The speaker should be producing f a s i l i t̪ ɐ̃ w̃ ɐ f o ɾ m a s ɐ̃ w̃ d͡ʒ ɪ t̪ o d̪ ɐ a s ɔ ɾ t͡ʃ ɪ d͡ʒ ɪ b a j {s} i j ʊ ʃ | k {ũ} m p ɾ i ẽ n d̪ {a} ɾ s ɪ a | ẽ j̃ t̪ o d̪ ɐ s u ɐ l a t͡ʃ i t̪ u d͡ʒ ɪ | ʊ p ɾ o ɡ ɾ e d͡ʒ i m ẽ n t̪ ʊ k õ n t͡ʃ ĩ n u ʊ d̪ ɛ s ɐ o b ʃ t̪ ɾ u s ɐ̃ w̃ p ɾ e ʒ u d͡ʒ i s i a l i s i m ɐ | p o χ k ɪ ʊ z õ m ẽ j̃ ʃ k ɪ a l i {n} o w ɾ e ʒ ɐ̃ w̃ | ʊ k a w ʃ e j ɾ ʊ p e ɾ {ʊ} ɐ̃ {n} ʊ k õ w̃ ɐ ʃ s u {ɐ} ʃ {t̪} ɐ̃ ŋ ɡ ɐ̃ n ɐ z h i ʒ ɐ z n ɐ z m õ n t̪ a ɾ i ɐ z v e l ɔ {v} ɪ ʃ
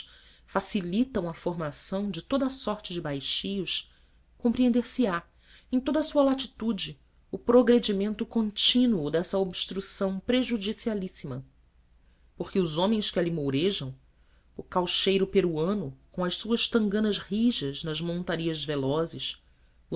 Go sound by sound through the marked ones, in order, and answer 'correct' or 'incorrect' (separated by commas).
incorrect, incorrect, incorrect, incorrect, incorrect, correct, correct, correct, incorrect